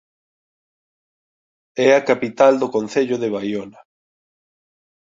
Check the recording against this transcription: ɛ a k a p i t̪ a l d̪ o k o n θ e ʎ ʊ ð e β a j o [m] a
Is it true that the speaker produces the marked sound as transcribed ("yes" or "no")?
no